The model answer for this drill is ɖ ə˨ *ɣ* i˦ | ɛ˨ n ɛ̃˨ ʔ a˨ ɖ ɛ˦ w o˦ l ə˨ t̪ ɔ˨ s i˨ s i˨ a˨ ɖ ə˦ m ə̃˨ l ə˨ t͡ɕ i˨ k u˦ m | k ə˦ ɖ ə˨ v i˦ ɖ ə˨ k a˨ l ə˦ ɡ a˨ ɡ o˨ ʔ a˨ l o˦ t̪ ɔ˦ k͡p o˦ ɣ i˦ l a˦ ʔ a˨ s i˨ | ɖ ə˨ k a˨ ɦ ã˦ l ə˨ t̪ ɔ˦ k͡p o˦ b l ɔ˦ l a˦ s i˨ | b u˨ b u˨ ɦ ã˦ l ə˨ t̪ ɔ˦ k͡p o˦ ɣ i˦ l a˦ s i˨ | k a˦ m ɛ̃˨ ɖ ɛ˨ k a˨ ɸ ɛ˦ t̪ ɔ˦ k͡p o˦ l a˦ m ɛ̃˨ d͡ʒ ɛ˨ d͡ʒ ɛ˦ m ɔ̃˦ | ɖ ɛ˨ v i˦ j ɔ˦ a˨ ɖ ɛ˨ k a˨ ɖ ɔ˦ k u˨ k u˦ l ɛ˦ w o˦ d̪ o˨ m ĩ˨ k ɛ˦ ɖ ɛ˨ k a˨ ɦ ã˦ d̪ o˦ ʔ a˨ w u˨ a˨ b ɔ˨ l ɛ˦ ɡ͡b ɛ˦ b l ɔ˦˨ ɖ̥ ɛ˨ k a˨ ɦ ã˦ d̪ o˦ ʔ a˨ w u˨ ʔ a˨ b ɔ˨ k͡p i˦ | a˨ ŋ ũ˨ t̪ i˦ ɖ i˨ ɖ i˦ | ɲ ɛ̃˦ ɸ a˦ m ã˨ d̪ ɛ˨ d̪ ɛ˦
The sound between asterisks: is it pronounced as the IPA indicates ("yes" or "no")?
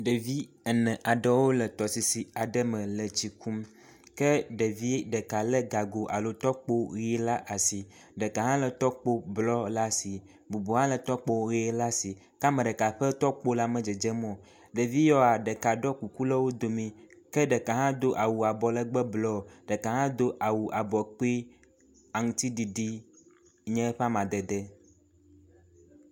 no